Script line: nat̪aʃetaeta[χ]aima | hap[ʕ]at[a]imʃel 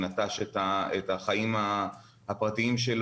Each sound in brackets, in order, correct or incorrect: correct, incorrect, incorrect

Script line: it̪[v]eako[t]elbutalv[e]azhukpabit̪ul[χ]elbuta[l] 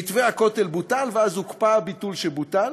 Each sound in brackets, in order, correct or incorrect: correct, correct, correct, incorrect, correct

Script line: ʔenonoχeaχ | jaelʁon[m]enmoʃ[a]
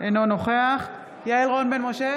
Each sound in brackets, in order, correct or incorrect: incorrect, incorrect

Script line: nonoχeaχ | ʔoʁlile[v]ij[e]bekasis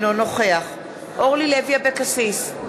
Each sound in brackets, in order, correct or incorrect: correct, incorrect

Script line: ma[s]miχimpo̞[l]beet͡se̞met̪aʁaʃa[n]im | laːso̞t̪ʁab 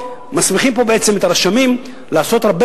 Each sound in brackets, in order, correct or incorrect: correct, incorrect, incorrect

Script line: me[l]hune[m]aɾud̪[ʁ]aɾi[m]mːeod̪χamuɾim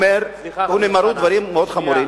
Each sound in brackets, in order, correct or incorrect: incorrect, correct, incorrect, correct

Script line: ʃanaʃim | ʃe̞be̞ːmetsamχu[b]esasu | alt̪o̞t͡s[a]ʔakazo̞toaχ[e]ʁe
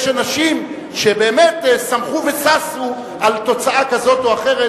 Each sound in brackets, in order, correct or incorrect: incorrect, correct, correct

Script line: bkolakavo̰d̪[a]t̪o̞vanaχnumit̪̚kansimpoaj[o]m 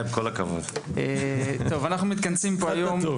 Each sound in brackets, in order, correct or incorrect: incorrect, correct

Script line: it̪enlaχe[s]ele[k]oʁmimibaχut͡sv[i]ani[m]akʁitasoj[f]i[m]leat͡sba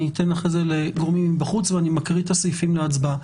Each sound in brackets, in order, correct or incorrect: incorrect, incorrect, incorrect, correct, correct, correct

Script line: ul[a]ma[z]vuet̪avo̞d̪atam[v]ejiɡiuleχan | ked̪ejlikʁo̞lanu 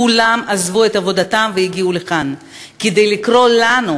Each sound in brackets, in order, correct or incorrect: correct, correct, correct

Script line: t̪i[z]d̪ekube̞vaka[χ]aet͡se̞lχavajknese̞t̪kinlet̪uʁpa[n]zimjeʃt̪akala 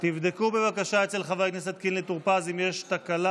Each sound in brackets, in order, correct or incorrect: incorrect, incorrect, incorrect

